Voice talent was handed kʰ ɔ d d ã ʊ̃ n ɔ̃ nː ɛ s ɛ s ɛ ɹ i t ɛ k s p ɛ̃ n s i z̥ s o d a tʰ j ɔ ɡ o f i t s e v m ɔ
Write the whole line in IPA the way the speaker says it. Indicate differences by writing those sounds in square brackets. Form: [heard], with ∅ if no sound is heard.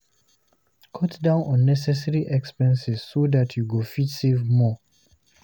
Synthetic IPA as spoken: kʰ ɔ [t] d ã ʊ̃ n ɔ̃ nː ɛ s ɛ s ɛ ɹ i [ʔ] ɛ k s p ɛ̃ n s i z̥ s o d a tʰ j [u] ɡ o f i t s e v m ɔ